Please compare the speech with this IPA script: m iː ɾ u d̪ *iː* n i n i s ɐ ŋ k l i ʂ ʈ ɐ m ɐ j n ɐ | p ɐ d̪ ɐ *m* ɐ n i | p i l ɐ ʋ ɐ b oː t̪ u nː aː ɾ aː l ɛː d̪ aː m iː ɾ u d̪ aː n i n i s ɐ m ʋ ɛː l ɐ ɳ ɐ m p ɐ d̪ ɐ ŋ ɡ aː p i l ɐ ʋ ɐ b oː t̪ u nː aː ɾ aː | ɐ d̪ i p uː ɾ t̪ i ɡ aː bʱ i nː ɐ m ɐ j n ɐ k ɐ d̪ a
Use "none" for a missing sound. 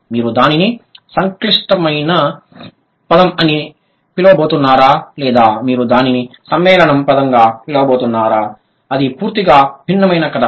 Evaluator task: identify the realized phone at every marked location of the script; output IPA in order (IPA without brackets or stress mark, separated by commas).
aː, m